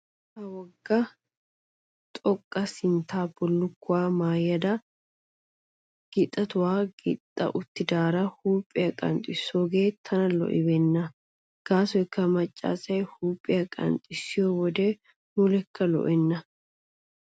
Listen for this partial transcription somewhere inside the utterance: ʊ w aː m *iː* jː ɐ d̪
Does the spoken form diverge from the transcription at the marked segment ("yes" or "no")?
yes